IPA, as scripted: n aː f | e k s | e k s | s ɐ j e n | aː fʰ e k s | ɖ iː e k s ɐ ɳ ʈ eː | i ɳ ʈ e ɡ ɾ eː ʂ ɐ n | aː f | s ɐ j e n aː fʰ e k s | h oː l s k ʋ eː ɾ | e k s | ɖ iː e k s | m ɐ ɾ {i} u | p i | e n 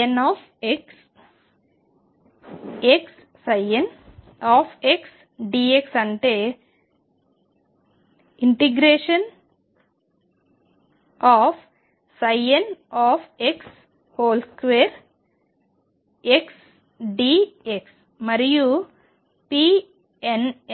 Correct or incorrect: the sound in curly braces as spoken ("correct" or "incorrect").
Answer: incorrect